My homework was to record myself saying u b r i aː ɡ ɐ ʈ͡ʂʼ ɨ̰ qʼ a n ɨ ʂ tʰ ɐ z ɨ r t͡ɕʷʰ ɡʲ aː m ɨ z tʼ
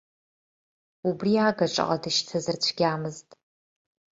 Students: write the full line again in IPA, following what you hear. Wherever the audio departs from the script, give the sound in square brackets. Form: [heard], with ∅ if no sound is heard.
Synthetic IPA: u b r i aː ɡ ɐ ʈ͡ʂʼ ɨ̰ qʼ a [d] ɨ [ʃ] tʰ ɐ z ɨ r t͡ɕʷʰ ɡʲ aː m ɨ z tʼ